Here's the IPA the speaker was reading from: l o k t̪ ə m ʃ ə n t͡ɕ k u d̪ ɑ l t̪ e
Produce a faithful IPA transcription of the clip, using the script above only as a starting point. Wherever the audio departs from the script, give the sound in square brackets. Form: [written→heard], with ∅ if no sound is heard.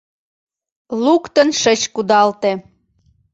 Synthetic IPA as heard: l [o→u] k t̪ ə [m→n] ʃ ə [n→∅] t͡ɕ k u d̪ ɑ l t̪ e